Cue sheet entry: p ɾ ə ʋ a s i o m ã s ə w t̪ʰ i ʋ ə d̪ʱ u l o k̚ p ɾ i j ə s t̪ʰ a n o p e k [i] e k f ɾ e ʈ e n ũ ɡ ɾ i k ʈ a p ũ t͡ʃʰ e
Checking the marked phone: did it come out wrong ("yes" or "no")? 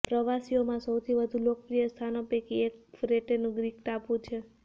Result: no